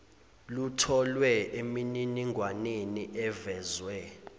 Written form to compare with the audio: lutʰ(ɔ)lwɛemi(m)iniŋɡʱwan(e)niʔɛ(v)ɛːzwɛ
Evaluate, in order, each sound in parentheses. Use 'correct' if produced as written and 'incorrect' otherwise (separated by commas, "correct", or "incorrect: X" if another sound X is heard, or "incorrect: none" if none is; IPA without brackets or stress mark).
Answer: correct, incorrect: n, correct, correct